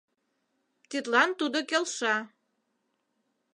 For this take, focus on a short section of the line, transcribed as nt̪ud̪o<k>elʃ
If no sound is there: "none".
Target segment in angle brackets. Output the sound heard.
k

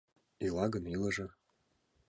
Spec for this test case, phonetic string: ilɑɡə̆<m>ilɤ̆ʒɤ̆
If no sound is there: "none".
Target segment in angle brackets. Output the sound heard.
n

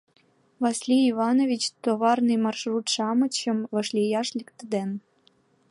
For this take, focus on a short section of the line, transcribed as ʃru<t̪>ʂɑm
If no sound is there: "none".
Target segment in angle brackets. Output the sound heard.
t̪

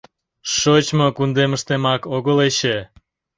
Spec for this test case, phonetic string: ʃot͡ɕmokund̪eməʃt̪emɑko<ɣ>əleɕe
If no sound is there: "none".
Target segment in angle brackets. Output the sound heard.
ɣ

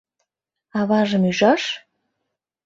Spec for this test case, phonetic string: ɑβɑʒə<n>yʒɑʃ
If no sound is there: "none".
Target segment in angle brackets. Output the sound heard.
m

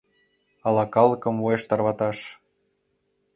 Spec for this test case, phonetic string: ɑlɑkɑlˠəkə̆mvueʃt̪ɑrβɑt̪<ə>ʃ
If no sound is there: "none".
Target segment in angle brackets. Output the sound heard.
ɑ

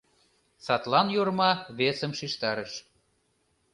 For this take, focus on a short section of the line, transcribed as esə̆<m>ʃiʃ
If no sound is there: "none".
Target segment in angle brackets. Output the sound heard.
m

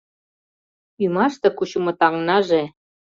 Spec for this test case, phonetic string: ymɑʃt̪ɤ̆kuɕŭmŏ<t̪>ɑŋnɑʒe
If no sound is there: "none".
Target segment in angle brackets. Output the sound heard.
t̪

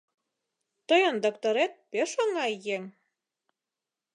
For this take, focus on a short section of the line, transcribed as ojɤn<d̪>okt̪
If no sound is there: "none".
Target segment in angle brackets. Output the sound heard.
d̪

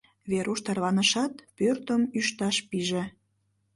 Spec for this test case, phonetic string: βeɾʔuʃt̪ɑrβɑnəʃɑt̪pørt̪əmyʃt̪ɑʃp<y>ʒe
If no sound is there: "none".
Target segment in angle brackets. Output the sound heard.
i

